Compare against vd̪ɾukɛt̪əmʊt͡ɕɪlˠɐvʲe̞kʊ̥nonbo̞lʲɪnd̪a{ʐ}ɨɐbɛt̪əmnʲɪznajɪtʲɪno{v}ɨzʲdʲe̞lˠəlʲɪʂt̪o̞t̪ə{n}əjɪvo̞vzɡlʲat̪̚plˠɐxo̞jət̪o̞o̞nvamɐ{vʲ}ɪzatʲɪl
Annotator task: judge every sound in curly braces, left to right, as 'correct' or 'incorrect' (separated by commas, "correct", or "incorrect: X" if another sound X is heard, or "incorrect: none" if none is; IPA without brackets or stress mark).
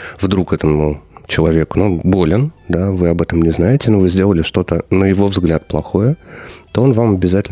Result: incorrect: v, correct, correct, incorrect: bʲ